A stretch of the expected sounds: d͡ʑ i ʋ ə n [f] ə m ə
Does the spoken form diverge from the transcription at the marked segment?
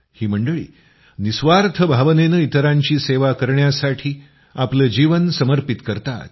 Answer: yes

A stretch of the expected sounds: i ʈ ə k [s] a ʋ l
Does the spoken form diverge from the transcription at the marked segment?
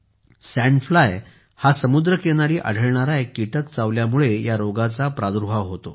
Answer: yes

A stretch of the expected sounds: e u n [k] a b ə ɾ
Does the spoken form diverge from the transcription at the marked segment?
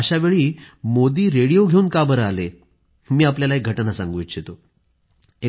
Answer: no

